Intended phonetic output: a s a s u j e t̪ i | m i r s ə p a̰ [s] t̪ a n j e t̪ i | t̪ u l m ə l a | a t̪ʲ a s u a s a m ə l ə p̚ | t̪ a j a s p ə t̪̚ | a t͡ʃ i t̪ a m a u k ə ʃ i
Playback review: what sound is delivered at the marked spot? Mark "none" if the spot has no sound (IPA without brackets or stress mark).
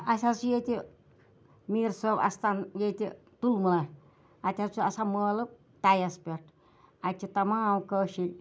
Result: s